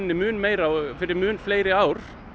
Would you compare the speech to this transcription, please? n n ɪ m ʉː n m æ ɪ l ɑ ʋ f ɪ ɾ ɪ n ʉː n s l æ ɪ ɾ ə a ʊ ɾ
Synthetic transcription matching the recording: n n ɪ m ʉː n m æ ɪ ɾ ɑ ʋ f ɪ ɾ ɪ m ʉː n f l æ ɪ ɾ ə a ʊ ɾ